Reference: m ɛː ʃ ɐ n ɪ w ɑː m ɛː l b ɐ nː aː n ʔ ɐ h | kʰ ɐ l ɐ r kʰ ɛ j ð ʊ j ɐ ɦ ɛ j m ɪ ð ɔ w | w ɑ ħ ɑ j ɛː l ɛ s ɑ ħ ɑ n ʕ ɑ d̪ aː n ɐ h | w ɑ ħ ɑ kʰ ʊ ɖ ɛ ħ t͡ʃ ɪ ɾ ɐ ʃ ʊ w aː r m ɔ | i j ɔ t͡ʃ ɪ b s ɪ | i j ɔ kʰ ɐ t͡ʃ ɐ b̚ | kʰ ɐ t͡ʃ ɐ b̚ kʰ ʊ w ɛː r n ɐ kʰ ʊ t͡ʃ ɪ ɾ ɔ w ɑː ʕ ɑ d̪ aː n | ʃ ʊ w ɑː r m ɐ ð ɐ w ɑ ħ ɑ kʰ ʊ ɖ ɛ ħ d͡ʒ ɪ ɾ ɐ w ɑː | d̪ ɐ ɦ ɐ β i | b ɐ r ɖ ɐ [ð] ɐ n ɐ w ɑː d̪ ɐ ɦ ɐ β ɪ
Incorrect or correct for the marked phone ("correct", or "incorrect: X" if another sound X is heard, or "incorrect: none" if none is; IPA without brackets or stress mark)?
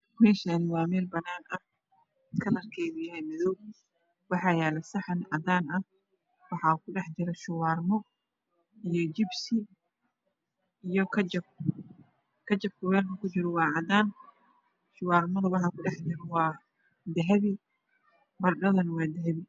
correct